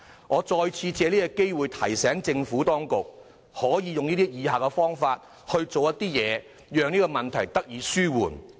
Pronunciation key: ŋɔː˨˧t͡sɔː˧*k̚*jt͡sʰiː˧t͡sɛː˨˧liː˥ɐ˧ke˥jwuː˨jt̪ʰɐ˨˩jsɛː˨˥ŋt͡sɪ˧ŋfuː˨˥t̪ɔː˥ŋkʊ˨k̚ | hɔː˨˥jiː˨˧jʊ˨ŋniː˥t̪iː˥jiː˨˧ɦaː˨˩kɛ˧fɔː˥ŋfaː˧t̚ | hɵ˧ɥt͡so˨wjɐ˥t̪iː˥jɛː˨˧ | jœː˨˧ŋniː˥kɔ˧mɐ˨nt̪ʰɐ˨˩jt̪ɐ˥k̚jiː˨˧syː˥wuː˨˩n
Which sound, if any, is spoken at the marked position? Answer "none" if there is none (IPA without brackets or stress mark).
none